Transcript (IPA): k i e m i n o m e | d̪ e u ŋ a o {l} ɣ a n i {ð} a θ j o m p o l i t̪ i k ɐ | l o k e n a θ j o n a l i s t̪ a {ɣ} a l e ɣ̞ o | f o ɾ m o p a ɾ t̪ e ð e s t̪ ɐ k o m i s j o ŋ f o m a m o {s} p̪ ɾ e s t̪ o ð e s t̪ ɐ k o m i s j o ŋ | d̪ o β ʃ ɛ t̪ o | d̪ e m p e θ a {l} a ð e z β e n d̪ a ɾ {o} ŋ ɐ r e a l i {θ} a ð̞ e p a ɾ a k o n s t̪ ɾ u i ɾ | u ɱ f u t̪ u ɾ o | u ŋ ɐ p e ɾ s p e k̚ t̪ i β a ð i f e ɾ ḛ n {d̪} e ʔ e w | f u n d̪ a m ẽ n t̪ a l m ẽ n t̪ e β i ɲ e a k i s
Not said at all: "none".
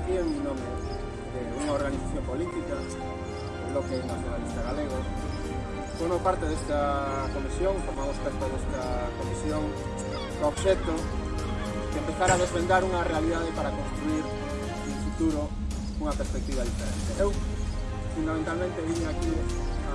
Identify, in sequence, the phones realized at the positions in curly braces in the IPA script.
ɾ, θ, ɣ, s, ɾ, u, ð, t̪

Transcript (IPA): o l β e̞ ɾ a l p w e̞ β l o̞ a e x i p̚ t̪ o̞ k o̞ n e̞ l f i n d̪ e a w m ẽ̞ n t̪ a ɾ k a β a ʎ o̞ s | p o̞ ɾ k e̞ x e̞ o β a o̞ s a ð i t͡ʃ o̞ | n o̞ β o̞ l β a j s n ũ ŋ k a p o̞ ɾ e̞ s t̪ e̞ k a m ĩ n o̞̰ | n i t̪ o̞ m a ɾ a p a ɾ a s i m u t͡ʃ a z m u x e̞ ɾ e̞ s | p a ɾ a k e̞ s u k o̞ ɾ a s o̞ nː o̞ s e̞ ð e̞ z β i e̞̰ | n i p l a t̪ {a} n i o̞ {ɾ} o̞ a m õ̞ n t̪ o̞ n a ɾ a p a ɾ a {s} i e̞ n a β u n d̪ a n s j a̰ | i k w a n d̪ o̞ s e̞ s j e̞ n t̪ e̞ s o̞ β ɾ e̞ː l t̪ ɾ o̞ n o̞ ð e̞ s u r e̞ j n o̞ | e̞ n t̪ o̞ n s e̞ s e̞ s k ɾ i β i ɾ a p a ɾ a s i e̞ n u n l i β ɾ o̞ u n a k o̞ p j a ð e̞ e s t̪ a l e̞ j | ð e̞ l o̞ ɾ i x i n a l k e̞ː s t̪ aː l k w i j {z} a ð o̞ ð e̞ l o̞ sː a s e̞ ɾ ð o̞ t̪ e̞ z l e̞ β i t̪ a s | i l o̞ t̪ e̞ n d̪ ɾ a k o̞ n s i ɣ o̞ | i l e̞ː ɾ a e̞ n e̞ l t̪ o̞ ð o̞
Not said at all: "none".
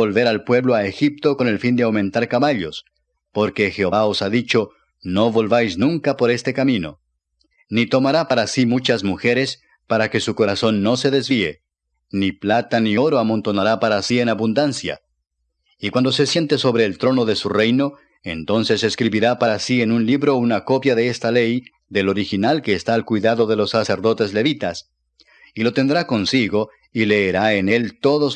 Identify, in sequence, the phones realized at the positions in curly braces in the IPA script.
a, ɾ, s, ð

